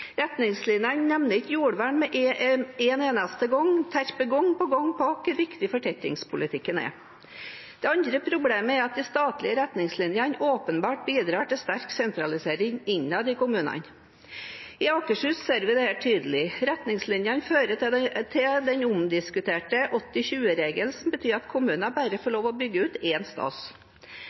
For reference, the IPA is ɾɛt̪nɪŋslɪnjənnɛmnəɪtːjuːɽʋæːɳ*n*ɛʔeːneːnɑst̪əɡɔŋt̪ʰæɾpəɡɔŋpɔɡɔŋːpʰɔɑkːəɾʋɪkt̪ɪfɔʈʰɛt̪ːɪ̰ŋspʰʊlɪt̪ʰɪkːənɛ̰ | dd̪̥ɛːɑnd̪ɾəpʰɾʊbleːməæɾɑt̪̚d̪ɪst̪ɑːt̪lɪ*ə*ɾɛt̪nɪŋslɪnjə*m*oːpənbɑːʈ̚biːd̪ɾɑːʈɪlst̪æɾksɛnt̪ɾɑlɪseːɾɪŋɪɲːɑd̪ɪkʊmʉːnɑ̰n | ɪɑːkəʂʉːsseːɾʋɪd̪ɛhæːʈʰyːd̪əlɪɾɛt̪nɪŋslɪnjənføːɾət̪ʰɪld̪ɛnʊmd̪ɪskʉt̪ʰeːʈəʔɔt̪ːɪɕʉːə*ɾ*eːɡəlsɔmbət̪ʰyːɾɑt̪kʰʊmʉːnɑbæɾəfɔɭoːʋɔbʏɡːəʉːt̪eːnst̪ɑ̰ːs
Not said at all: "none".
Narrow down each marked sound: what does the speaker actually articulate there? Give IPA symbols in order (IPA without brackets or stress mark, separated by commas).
m, ə, n, ɾ